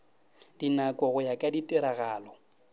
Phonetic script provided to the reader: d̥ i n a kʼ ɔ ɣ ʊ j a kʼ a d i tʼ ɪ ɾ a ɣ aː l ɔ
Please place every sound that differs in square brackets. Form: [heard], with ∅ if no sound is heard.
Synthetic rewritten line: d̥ i n a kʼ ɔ ɣ ʊ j a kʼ a d i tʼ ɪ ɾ a ɣ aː l ɔ